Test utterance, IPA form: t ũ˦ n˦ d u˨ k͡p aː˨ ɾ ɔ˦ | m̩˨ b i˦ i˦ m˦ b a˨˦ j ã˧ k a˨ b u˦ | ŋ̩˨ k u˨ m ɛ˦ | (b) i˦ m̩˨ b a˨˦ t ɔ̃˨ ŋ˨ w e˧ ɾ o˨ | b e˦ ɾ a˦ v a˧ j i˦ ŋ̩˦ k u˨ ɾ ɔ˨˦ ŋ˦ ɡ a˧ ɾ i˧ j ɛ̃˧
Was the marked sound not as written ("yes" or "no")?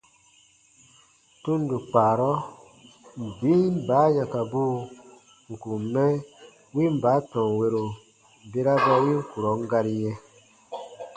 yes